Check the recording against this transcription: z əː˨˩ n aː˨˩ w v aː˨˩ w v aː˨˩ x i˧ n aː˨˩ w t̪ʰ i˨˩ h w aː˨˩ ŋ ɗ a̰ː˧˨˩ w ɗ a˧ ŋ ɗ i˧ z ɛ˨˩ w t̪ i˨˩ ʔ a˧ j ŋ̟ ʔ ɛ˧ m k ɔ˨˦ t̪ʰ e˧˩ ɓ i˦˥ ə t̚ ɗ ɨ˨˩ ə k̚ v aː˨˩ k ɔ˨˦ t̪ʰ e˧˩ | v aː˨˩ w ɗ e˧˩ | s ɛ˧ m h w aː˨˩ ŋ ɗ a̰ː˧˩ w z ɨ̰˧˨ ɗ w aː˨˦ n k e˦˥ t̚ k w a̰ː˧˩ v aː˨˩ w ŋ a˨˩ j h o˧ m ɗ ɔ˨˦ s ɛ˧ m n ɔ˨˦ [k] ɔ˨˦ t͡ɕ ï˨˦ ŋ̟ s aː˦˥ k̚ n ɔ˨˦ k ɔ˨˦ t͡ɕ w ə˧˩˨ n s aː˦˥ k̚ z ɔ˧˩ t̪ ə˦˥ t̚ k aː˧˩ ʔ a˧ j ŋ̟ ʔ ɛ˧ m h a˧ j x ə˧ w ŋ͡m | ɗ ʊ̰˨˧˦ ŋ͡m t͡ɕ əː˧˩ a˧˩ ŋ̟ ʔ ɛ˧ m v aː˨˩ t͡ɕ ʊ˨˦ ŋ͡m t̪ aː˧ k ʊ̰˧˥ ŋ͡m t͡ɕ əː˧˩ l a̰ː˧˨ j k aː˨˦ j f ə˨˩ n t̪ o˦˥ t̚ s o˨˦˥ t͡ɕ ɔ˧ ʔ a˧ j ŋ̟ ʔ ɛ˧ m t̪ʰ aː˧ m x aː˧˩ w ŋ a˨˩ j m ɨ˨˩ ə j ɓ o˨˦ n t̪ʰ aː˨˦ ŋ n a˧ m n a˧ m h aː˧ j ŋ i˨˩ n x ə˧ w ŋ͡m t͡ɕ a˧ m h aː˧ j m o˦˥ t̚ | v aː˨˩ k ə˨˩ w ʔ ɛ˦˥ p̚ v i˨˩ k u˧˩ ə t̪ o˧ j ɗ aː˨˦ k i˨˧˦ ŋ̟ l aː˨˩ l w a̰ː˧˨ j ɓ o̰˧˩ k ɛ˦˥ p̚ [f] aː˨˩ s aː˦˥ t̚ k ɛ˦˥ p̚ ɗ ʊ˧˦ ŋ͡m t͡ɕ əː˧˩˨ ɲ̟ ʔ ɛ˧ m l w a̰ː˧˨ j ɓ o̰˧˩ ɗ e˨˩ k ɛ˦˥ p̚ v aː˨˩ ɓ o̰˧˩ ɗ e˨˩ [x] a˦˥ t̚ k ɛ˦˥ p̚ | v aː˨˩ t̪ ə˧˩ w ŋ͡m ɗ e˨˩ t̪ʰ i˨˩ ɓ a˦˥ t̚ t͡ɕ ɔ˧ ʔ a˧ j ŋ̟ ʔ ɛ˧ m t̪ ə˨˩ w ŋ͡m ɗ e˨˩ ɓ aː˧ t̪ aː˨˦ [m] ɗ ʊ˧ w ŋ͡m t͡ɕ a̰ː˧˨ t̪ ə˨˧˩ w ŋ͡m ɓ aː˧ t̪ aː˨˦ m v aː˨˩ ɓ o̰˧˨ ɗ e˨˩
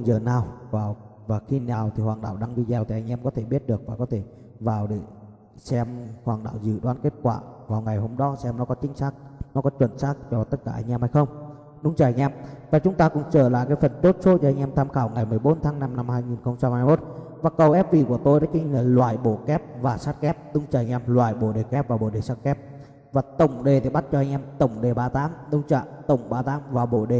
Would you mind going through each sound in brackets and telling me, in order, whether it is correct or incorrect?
correct, incorrect: v, incorrect: s, correct

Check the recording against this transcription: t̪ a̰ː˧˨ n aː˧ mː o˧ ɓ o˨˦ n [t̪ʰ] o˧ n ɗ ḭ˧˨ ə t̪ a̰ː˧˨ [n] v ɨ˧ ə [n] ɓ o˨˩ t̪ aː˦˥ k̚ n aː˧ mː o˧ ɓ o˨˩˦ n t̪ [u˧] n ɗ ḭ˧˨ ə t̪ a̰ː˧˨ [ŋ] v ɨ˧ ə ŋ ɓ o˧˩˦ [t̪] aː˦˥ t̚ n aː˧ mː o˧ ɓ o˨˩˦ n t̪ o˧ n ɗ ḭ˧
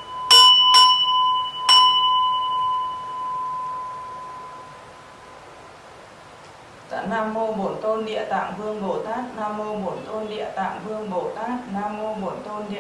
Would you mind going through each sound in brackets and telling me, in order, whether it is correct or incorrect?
incorrect: t̪, incorrect: ŋ, incorrect: ŋ, incorrect: o˧, correct, correct

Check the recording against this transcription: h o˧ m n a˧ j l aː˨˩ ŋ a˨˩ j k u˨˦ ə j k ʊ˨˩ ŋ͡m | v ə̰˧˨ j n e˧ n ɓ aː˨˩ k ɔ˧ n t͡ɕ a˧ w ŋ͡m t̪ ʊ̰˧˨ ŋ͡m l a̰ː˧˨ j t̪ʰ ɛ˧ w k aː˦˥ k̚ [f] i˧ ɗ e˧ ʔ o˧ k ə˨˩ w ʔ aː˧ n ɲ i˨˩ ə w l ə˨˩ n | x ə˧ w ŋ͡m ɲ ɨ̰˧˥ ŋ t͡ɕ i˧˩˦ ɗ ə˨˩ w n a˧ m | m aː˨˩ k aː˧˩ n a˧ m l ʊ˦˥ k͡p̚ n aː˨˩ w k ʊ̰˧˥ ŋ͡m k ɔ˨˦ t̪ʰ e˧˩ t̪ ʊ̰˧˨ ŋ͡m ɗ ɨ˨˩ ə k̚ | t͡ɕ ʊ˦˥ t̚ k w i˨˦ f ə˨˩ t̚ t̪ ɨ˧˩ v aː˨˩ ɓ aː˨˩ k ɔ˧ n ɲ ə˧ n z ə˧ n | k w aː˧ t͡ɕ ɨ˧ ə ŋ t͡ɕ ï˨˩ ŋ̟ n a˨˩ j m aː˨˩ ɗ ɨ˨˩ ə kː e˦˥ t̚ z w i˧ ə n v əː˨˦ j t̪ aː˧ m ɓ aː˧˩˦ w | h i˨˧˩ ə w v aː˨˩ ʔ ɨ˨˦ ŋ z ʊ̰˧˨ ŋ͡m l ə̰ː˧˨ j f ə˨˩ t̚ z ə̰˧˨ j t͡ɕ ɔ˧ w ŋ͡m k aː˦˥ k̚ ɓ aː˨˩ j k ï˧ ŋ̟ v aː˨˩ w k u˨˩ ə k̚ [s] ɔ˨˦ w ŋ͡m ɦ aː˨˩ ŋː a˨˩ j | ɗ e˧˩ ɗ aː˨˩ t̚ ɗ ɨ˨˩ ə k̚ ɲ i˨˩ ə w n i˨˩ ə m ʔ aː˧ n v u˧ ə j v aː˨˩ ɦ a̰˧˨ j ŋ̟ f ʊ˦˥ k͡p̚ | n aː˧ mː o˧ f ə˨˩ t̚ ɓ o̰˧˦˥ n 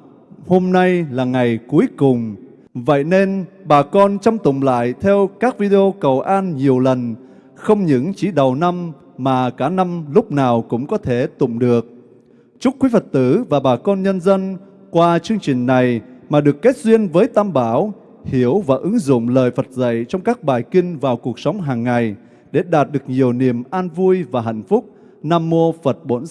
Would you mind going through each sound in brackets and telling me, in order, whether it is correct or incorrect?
incorrect: v, correct

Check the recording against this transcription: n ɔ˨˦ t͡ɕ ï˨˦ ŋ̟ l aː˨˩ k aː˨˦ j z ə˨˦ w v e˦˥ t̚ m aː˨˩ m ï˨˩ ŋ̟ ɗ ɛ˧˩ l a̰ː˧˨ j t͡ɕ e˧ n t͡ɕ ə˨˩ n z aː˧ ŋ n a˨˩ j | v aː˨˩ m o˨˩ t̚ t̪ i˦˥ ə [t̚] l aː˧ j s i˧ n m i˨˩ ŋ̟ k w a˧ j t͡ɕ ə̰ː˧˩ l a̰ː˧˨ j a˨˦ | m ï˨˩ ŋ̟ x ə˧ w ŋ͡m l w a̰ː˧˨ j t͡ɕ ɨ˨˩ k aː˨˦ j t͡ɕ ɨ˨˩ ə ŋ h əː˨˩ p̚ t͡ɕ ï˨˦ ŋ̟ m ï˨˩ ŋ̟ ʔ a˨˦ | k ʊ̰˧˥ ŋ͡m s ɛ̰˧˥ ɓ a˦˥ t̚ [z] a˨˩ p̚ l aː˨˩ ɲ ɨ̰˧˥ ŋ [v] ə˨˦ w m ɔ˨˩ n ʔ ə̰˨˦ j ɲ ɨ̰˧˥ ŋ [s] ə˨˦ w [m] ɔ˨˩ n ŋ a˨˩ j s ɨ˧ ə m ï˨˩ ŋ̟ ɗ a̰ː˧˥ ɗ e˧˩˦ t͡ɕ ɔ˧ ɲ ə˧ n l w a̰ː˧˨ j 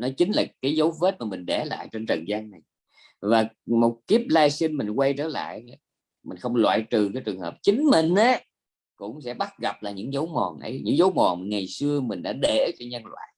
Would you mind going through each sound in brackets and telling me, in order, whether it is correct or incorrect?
incorrect: p̚, incorrect: ɣ, incorrect: z, incorrect: z, correct

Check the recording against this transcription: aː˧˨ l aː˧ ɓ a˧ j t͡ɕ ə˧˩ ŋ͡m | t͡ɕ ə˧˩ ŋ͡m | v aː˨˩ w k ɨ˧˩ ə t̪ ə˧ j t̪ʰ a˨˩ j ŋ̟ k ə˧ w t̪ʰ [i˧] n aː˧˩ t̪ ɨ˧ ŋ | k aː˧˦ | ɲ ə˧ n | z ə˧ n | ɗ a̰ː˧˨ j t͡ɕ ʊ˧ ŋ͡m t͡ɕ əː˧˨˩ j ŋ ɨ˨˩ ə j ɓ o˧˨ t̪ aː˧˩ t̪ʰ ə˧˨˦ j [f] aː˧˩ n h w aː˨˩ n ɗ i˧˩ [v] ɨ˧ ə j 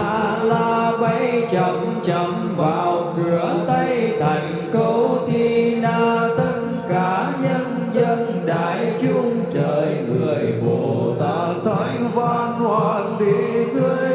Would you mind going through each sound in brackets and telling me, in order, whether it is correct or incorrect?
correct, incorrect: v, incorrect: z

